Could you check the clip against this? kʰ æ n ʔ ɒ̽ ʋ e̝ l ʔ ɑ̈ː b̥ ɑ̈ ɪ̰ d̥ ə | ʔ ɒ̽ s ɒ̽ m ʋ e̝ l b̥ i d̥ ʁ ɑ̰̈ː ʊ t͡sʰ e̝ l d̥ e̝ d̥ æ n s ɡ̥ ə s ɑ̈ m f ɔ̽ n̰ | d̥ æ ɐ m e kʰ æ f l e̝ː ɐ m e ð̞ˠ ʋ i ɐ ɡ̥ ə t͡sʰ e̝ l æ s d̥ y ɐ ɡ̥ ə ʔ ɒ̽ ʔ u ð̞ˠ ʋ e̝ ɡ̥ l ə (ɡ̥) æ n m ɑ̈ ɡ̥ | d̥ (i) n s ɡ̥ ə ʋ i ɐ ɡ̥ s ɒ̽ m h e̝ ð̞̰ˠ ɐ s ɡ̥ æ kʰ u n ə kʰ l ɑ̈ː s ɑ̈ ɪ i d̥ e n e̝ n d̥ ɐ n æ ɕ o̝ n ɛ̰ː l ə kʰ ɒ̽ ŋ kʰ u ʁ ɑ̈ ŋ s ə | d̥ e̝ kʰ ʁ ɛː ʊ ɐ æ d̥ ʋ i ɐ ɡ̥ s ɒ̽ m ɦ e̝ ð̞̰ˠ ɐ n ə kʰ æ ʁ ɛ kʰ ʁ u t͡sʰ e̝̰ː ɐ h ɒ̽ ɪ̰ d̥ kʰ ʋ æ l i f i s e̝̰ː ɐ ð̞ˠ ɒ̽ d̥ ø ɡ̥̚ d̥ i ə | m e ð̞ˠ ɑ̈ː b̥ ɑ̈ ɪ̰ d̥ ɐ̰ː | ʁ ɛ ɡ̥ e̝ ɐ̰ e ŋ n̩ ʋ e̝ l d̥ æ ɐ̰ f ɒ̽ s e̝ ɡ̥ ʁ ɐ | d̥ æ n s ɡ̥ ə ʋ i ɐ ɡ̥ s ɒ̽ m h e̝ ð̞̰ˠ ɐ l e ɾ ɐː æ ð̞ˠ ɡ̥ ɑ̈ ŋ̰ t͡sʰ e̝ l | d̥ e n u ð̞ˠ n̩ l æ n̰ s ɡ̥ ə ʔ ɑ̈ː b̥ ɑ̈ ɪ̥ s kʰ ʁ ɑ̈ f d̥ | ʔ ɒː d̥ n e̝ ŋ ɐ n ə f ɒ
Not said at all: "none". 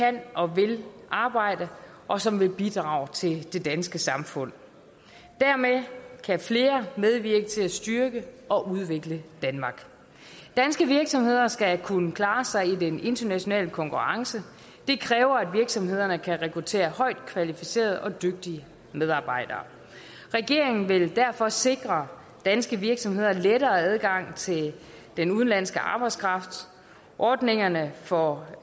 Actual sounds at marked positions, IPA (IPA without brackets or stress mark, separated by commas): d̥, æ